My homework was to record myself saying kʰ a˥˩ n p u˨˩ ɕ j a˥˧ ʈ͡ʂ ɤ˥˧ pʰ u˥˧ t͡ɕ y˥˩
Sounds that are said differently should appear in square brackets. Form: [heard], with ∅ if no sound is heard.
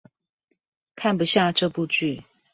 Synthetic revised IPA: kʰ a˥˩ n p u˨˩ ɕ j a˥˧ ʈ͡ʂ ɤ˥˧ [p] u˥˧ t͡ɕ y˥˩